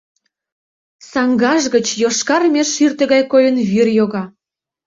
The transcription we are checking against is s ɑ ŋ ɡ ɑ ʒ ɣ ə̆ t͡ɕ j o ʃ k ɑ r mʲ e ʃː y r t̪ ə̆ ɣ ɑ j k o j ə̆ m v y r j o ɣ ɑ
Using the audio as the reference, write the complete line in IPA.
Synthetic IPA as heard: s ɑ ŋ ɡ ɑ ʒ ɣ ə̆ t͡ɕ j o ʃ k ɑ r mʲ e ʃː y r t̪ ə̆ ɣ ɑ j k o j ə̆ n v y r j o ɣ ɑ